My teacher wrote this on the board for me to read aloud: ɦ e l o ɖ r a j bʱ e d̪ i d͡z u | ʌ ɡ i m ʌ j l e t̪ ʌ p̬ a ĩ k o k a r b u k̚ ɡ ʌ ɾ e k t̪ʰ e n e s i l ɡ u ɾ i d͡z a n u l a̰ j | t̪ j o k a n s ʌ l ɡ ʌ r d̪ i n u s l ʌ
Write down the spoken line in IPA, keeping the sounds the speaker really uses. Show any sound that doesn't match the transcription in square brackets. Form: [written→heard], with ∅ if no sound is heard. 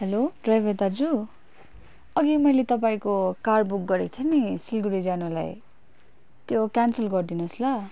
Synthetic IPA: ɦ e l o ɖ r a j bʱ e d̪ [i→a] d͡z u | ʌ ɡ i m ʌ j l e t̪ ʌ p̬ a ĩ k o k a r b u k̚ ɡ ʌ ɾ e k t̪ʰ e n [e→i] s i l ɡ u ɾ i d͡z a n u l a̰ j | t̪ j o k a n s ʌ l ɡ ʌ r d̪ i n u s l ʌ